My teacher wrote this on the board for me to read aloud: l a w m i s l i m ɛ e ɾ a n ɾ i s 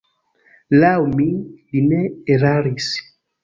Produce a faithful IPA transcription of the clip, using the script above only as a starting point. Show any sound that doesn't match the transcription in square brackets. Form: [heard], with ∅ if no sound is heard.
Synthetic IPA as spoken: l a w m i [∅] l i [n] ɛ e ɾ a [∅] ɾ i s